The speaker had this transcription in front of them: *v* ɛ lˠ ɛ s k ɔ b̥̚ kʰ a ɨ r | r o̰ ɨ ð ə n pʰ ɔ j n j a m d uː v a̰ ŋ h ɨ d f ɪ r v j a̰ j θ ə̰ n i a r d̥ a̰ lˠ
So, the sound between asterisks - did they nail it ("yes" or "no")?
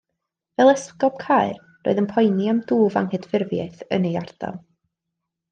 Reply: yes